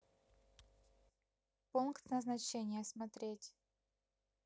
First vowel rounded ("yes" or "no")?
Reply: yes